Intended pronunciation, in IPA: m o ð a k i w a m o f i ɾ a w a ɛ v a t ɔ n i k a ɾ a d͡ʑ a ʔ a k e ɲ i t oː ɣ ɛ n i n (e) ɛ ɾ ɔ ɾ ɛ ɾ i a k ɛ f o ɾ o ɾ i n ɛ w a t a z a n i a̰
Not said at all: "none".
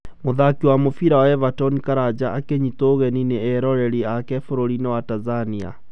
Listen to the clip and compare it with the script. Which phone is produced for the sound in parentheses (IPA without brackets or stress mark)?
e